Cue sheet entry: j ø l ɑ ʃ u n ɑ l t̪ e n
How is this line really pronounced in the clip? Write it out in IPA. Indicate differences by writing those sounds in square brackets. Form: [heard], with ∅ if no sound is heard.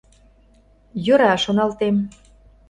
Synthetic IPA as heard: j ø [ɾ] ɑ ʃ [o] n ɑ l t̪ e [m]